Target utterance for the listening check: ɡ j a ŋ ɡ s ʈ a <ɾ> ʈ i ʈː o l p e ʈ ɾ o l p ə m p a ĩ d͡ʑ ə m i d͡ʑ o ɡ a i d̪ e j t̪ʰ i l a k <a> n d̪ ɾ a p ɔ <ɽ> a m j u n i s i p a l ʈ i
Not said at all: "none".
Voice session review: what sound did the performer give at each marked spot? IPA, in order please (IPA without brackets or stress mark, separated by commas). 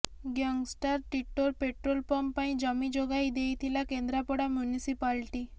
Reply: ɾ, e, ɽ